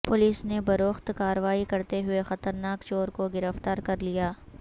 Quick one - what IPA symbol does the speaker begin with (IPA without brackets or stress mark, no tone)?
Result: p